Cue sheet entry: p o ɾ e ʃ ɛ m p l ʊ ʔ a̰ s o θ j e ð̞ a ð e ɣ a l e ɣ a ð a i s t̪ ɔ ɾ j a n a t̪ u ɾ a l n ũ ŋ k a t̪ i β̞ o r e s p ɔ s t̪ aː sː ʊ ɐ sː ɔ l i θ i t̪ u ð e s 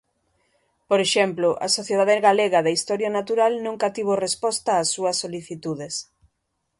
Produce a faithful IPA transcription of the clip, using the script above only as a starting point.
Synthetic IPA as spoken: p o ɾ e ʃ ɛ m p l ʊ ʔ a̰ s o θ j e ð̞ a ð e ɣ a l e ɣ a ð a i s t̪ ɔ ɾ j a n a t̪ u ɾ a l n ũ ŋ k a t̪ i β̞ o r e s p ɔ s t̪ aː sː u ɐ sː o l i θ i t̪ u ð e s